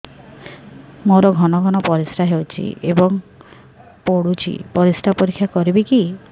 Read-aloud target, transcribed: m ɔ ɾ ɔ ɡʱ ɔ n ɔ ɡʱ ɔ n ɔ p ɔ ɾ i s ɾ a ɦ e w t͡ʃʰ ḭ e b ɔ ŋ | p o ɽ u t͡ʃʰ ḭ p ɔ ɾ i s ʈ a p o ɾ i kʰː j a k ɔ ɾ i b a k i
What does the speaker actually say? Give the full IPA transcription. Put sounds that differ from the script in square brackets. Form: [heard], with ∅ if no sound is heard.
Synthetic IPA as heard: m [o] ɾ ɔ ɡʱ ɔ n ɔ ɡʱ ɔ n ɔ p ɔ ɾ i s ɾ a ɦ e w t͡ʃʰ ḭ e b ɔ ŋ | p o ɽ u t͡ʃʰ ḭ p ɔ ɾ i s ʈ a p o ɾ i kʰː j a k ɔ ɾ i b [i] k i